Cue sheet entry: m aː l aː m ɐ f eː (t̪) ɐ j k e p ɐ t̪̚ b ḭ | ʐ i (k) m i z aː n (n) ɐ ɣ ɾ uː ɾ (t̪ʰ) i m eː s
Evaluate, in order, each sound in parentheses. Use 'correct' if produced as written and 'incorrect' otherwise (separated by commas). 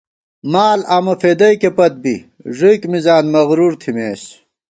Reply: incorrect, correct, incorrect, correct